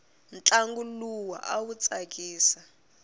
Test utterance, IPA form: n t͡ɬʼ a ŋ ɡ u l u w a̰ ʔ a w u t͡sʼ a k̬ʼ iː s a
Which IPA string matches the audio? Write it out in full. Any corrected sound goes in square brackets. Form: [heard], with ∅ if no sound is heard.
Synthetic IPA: n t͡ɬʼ a ŋ ɡ u l u w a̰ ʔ a w u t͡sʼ a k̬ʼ iː s a